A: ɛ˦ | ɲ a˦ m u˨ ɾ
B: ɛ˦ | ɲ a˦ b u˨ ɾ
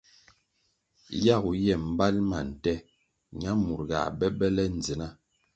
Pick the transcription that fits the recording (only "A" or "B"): A